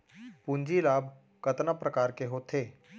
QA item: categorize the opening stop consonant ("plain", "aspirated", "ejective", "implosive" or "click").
plain